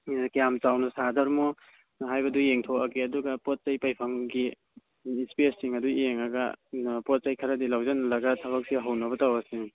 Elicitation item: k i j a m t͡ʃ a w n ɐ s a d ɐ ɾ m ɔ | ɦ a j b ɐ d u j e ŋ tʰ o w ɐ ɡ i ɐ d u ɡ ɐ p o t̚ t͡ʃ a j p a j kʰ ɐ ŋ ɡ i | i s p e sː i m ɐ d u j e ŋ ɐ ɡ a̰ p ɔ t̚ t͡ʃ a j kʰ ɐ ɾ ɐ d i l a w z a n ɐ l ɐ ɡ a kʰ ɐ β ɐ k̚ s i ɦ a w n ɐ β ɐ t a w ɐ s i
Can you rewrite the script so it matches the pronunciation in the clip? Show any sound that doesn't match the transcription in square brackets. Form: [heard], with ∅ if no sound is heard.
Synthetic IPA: k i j a m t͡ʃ a w n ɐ s a d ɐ ɾ m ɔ | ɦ a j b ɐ d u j e ŋ tʰ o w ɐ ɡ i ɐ d u ɡ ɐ p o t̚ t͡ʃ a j p a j [pʰ] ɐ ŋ ɡ i | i s p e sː i [ŋ] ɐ d u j e ŋ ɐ ɡ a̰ p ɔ t̚ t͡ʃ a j kʰ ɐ ɾ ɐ d i l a w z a n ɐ l ɐ ɡ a [tʰ] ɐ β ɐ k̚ s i ɦ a w n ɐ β ɐ t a w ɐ s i